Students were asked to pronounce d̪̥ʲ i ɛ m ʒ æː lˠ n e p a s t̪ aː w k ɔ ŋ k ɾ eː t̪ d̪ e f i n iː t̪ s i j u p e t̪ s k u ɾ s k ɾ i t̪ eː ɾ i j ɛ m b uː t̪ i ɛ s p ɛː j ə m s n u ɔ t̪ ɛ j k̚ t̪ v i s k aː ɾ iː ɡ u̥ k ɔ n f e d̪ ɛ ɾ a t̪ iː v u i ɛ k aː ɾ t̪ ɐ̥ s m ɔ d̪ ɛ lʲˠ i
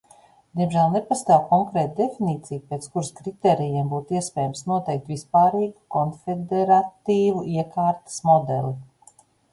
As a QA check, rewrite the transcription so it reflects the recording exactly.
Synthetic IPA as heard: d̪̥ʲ i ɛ m ʒ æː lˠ n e p a s t̪ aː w k ɔ ŋ k ɾ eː t̪ d̪ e f i n iː t̪ s i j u p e t̪ s k u ɾ s k ɾ i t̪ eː ɾ i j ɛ m b uː t̪ i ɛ s p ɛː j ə m s n u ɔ t̪ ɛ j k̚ t̪ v i s p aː ɾ iː ɡ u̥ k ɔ n f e d̪ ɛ ɾ a t̪ iː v u i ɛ k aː ɾ t̪ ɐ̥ s m ɔ d̪ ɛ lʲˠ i